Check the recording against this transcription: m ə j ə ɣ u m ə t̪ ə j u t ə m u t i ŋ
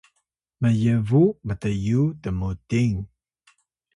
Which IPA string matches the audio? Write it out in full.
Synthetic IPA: m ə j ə v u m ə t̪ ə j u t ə m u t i ŋ